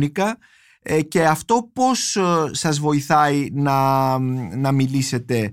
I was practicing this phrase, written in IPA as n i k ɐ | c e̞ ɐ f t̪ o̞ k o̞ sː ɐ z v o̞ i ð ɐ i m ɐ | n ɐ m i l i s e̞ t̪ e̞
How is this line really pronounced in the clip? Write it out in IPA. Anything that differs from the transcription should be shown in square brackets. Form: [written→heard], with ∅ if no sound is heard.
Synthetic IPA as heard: n i k ɐ | c e̞ ɐ f t̪ o̞ [k→p] o̞ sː ɐ z v o̞ i [ð→θ] ɐ i [m→n] ɐ | n ɐ m i l i s e̞ t̪ e̞